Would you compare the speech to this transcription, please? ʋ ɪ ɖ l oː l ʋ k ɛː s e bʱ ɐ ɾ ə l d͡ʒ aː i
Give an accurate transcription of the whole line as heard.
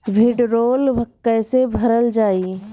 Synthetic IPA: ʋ ɪ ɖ ɾ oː l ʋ k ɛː s e bʱ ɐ ɾ ə l d͡ʒ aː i

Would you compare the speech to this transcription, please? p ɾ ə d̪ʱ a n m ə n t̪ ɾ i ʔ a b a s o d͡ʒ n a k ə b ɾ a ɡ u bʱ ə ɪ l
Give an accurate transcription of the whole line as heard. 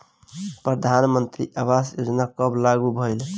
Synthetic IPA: p ɾ ə d̪ʱ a n m ə n t̪ ɾ i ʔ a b a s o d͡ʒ n a k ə b l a ɡ u bʱ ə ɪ l

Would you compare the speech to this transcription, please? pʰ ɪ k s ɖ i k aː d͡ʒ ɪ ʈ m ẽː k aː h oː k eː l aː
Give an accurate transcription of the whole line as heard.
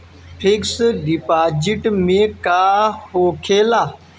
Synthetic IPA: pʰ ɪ k s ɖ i p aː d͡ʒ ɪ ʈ m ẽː k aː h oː kʰ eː l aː

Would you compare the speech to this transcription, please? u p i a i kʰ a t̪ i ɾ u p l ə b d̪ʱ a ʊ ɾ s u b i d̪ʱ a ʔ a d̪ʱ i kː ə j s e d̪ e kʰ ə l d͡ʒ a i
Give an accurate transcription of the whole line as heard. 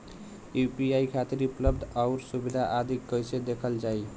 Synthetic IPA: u p i a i kʰ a t̪ i ɾ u p l ə b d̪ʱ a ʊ ɾ s u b i d̪ʱ a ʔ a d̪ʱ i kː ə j s e d̪ e kʰ ə l d͡ʒ a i

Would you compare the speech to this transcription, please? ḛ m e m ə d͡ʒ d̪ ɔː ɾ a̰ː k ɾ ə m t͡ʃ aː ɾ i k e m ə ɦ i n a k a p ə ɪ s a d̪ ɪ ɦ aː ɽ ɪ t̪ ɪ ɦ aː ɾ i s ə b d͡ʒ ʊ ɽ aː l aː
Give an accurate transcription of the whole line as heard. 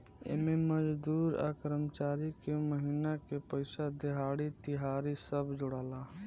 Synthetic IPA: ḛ m e m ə d͡ʒ d̪ uː ɾ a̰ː k ɾ ə m t͡ʃ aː ɾ i k e m ə ɦ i n a k e p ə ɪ s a d̪ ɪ ɦ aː ɽ i t̪ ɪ ɦ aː ɾ i s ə b d͡ʒ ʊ ɽ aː l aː

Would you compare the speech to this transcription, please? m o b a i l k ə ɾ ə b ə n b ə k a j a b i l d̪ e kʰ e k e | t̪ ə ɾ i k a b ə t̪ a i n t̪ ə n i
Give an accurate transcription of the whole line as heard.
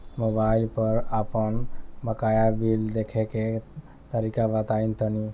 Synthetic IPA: m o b a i l p ə ɾ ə p ə n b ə k a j a b i l d̪ e kʰ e k e | t̪ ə ɾ i k a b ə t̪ a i n t̪ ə n i

